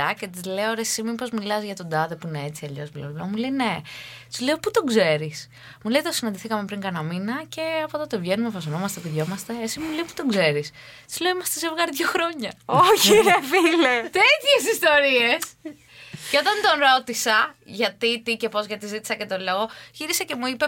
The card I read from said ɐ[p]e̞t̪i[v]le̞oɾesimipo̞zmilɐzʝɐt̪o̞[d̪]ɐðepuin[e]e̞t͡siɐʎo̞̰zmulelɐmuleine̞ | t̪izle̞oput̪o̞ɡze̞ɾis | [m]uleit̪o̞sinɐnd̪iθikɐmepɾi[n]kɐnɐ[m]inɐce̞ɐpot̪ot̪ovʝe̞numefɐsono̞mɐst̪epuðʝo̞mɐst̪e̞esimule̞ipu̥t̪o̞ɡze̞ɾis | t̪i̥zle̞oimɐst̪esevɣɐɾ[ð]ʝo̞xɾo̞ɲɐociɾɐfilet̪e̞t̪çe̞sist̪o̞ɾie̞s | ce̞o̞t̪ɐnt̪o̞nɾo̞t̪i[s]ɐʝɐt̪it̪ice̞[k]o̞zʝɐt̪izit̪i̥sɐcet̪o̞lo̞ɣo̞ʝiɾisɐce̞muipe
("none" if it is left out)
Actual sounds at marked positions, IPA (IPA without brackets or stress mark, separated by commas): c, z, d̪, e, m, ŋ, m, ð, s, p